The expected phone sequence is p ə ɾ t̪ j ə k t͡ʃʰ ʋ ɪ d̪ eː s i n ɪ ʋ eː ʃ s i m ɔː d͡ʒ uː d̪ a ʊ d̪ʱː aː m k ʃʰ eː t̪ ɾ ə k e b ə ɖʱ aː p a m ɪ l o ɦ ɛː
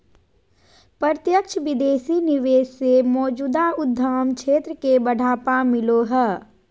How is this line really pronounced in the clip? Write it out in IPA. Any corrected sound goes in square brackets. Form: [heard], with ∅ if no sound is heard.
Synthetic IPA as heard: p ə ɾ t̪ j ə k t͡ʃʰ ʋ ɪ d̪ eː s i n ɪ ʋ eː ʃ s [e] m ɔː d͡ʒ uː d̪ a ʊ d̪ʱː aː m k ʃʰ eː t̪ ɾ ə k e b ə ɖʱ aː p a m ɪ l o ɦ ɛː